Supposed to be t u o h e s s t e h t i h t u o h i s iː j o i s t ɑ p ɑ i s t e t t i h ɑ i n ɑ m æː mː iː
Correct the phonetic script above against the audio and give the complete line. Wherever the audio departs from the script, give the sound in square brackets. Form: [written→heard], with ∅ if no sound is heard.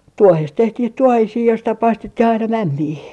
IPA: t u o h e s [s→t] t e h t i h t u o h i s iː j o i s t ɑ p ɑ i s t e t t i h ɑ i n ɑ m [æː→æ] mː iː